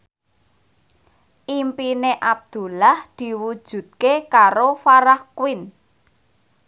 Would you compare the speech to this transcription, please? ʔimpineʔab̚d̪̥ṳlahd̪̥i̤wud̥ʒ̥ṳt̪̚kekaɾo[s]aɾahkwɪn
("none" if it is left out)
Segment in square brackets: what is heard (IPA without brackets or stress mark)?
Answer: f